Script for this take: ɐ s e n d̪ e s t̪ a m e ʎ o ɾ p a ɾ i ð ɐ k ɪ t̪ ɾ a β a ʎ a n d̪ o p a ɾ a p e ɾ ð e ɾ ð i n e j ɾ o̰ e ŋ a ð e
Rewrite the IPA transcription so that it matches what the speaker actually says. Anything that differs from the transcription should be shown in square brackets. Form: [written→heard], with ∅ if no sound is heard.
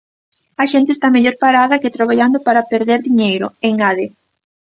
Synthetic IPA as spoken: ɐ [s→ʃ] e n [d̪→t̪] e s t̪ a m e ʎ o ɾ p a ɾ [i→a] ð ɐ k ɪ t̪ ɾ a β a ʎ a n d̪ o p a ɾ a p e ɾ ð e ɾ ð i [n→ɲ] e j ɾ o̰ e ŋ a ð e